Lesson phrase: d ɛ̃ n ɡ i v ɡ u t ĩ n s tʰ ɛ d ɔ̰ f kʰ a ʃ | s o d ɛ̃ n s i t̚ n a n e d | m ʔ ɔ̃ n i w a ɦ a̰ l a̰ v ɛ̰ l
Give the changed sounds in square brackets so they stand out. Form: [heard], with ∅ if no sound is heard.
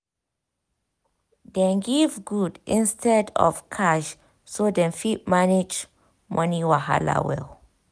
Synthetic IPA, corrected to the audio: d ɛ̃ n ɡ i v ɡ u [d] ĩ n s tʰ ɛ d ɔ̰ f kʰ a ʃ | s o d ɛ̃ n [f] i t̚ [m] a n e [d͡ʒ] | m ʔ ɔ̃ n i w a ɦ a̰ l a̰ [w] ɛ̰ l